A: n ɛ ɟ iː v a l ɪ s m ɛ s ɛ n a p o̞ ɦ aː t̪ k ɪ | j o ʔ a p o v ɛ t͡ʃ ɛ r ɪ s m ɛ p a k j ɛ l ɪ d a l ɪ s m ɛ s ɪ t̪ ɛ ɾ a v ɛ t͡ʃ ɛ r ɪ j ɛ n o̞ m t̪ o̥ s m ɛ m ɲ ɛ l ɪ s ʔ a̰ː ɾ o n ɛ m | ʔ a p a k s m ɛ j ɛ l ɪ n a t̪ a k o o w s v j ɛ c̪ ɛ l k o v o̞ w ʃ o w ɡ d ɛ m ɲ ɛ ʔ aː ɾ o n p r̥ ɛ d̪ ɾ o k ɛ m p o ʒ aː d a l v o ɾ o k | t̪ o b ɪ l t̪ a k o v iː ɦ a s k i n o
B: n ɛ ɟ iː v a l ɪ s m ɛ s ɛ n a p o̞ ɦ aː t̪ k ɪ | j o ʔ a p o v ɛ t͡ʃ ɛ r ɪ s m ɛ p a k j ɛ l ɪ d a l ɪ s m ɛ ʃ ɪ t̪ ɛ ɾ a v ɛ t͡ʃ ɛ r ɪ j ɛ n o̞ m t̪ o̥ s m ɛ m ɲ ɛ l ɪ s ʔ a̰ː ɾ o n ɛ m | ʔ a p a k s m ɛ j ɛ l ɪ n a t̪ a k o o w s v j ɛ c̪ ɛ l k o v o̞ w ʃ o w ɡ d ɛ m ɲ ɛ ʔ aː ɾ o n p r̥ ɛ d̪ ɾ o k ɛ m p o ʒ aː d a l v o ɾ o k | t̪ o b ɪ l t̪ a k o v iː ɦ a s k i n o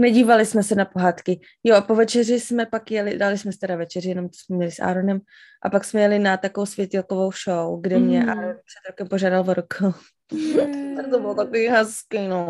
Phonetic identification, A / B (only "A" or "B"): A